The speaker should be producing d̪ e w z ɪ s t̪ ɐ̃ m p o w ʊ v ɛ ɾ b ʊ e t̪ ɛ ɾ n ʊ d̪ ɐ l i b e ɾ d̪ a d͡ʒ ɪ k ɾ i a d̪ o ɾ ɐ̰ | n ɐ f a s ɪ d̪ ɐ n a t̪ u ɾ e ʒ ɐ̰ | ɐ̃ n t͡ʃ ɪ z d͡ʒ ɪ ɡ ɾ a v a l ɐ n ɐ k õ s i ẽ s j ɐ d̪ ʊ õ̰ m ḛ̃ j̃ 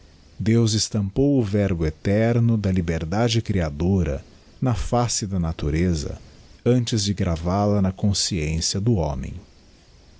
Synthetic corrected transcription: d̪ e w z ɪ s t̪ ɐ̃ m p o w ʊ v ɛ ɾ b ʊ e t̪ ɛ ɾ n ʊ d̪ ɐ l i b e ɾ d̪ a d͡ʒ ɪ k ɾ i a d̪ o ɾ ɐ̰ | n ɐ f a s ɪ d̪ ɐ n a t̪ u ɾ e z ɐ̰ | ɐ̃ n t͡ʃ ɪ z d͡ʒ ɪ ɡ ɾ a v a l ɐ n ɐ k õ s i ẽ s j ɐ d̪ ʊ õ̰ m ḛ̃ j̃

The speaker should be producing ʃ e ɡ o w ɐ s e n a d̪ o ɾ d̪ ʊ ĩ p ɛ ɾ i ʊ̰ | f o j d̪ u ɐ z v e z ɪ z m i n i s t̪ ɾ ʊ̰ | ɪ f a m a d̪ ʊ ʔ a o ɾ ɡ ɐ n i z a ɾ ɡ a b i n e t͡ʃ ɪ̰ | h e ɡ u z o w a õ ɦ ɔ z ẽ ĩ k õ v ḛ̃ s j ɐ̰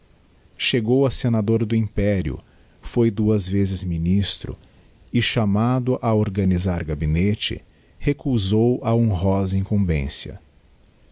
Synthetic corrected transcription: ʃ e ɡ o w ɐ s e n a d̪ o ɾ d̪ ʊ ĩ p ɛ ɾ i ʊ̰ | f o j d̪ u ɐ z v e z ɪ z m i n i s t̪ ɾ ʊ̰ | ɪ ʃ a m a d̪ ʊ ʔ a o ɾ ɡ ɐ n i z a ɾ ɡ a b i n e t͡ʃ ɪ̰ | h e k u z o w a õ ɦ ɔ z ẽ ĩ k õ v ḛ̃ s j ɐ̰

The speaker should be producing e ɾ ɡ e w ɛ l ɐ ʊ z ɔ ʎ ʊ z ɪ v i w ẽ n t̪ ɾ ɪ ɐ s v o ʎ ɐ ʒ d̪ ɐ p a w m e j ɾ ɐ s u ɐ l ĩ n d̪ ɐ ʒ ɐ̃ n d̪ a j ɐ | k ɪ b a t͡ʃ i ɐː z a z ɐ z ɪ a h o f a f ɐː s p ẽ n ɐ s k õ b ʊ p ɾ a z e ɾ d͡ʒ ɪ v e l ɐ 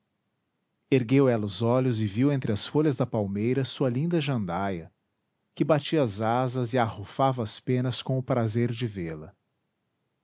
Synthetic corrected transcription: e ɾ ɡ e w ɛ l ɐ ʊ z ɔ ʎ ʊ z ɪ v i w ẽ n t̪ ɾ ɪ ɐ s f o ʎ ɐ z d̪ ɐ p a w m e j ɾ ɐ s u ɐ l ĩ n d̪ ɐ ʒ ɐ̃ n d̪ a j ɐ | k ɪ b a t͡ʃ i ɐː z a z ɐ z ɪ a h o f a v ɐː s p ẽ n ɐ s k õ ʊ p ɾ a z e ɾ d͡ʒ ɪ v e l ɐ

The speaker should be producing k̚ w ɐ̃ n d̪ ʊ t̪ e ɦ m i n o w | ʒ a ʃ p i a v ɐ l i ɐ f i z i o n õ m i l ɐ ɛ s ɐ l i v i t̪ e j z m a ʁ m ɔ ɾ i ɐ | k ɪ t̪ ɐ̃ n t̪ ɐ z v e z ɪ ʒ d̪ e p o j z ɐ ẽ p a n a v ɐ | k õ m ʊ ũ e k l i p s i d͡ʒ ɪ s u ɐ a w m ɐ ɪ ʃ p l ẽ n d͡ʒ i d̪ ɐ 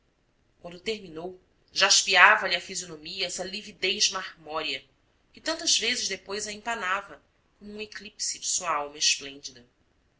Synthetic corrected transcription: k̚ w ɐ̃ n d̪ ʊ t̪ e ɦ m i n o w | ʒ a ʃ p i a v ɐ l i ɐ f i z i o n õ m i ɐ ɛ s ɐ l i v i d̪ e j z m a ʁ m ɔ ɾ i ɐ | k ɪ t̪ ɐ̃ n t̪ ɐ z v e z ɪ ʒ d̪ e p o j z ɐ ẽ p a n a v ɐ | k õ m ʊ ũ e k l i p s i d͡ʒ ɪ s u ɐ a w m ɐ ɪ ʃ p l ẽ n d͡ʒ i d̪ ɐ

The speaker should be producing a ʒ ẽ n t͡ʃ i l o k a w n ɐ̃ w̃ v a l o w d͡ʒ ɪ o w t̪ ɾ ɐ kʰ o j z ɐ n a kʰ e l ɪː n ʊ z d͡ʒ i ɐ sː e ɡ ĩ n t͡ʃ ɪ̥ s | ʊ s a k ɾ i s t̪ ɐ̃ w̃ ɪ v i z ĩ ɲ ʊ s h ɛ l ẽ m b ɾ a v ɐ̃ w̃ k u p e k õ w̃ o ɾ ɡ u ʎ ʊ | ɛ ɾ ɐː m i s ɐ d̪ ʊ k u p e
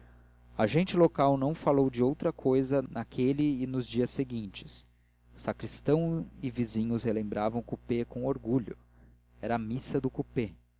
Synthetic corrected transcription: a ʒ ẽ n t͡ʃ ɪ l o k a w n ɐ̃ w̃ f a l o w d͡ʒ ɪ o w t̪ ɾ ɐ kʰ o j z ɐ n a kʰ e l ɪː n ʊ z d͡ʒ i ɐ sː e ɡ ĩ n t͡ʃ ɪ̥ s | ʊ s a k ɾ i s t̪ ɐ̃ w̃ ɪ v i z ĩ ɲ ʊ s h e l ẽ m b ɾ a v ɐ̃ w̃ k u p e k õ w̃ o ɾ ɡ u ʎ ʊ | ɛ ɾ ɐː m i s ɐ d̪ ʊ k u p e

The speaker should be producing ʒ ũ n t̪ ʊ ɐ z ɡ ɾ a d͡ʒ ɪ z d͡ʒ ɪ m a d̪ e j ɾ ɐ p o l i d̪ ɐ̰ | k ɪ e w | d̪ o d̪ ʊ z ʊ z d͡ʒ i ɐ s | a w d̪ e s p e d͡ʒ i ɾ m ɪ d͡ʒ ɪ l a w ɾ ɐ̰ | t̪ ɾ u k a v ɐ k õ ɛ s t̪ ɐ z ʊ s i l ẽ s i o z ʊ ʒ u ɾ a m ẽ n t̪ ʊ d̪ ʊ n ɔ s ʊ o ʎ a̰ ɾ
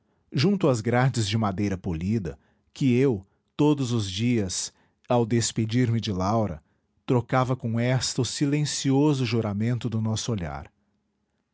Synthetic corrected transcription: ʒ ũ n t̪ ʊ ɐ z ɡ ɾ a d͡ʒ ɪ z d͡ʒ ɪ m a d̪ e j ɾ ɐ p o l i d̪ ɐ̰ | k ɪ e w | t̪ o d̪ ʊ z ʊ z d͡ʒ i ɐ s | a w d̪ e s p e d͡ʒ i ɾ m ɪ d͡ʒ ɪ l a w ɾ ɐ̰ | t̪ ɾ o k a v ɐ k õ ɛ s t̪ ɐ ʊ s i l ẽ s i o z ʊ ʒ u ɾ a m ẽ n t̪ ʊ d̪ ʊ n ɔ s ʊ o ʎ a̰ ɾ

